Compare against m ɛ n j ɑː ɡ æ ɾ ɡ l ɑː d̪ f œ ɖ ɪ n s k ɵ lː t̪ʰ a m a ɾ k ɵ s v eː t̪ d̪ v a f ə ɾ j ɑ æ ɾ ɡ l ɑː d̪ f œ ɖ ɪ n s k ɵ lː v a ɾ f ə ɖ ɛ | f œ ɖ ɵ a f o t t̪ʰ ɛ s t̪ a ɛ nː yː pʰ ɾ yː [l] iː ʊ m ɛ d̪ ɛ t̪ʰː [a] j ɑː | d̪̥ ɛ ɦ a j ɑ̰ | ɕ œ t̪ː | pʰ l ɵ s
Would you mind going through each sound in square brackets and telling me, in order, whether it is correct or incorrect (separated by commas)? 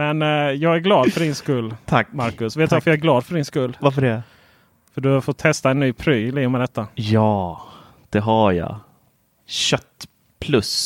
correct, correct